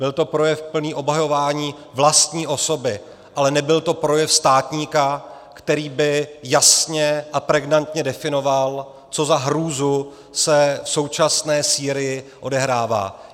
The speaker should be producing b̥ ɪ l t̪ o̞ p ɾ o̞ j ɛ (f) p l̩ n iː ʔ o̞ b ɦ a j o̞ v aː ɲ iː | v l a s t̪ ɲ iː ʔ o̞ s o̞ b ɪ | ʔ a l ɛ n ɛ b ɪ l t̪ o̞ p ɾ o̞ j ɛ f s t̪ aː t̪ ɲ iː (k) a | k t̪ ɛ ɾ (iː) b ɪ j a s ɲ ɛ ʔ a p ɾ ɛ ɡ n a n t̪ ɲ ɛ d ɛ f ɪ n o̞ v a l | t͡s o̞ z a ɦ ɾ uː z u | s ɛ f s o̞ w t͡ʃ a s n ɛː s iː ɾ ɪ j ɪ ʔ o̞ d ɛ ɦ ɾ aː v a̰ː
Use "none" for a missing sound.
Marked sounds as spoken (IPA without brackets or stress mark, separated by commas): f, k, iː